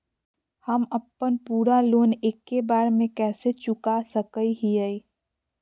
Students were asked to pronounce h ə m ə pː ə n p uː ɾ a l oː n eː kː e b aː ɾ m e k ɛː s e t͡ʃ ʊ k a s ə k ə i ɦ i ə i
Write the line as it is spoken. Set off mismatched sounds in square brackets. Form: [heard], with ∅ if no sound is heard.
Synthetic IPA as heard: h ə m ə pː ə n p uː ɾ a l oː n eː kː e b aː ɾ m [ẽ] k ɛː s e t͡ʃ ʊ k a s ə k ə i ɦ i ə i